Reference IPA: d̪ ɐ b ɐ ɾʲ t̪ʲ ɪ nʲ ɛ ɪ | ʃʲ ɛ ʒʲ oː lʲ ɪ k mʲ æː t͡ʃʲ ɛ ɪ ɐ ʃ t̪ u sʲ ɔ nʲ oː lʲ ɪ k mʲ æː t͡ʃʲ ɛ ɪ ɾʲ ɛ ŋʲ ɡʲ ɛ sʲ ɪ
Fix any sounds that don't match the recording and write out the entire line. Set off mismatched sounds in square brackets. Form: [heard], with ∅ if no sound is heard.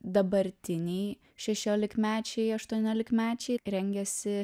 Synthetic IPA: d̪ ɐ b ɐ ɾʲ t̪ʲ ɪ nʲ ɛ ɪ | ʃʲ ɛ [ʃʲ] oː lʲ ɪ k mʲ æː t͡ʃʲ ɛ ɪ ɐ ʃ t̪ u [∅] ɔ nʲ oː lʲ ɪ k mʲ æː t͡ʃʲ ɛ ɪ ɾʲ ɛ ŋʲ ɡʲ ɛ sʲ ɪ